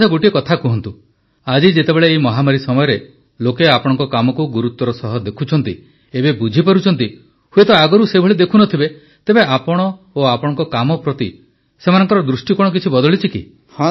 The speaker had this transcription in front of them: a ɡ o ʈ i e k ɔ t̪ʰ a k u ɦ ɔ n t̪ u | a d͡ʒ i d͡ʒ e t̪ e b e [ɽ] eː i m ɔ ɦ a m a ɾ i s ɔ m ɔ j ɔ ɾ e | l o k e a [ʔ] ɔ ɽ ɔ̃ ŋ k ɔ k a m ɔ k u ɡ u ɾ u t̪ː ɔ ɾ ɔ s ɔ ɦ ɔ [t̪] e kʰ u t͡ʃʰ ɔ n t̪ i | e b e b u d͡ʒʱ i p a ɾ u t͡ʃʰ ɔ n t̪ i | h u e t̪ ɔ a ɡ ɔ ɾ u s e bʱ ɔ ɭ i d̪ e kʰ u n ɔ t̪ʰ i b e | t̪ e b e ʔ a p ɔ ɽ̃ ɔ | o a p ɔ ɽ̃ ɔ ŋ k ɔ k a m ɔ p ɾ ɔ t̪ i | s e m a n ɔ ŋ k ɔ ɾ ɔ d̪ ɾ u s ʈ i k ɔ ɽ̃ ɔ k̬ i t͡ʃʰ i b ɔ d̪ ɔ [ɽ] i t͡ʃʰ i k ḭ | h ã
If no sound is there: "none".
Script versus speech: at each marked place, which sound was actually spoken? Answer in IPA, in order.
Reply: ɭ, p, d̪, ɭ

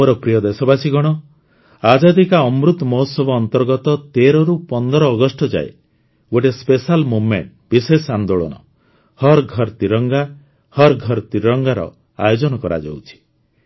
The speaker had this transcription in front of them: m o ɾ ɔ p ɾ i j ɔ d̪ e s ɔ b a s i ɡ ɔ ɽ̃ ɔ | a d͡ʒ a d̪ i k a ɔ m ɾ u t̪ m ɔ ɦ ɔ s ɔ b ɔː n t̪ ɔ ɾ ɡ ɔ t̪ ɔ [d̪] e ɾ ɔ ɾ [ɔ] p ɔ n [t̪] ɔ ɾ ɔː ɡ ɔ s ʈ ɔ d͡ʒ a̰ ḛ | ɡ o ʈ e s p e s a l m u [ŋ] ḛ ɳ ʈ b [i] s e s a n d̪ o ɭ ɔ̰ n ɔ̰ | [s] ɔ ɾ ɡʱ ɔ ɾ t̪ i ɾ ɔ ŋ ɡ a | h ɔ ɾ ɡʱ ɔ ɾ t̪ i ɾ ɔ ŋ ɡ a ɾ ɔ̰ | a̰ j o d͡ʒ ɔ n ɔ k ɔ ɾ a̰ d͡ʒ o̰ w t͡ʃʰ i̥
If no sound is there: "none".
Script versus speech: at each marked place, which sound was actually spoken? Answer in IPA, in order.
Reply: t̪, u, d̪, m, i, h

